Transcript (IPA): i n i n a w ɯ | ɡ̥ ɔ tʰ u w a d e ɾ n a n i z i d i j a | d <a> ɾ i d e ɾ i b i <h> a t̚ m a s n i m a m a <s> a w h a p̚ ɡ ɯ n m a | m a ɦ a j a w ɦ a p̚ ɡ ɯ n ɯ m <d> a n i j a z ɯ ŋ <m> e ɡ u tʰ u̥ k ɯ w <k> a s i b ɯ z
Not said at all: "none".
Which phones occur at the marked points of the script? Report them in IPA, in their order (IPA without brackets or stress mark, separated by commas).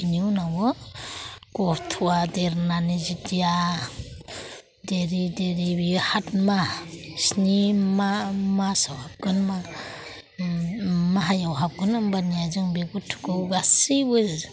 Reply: e, h, s, b, b, ɡ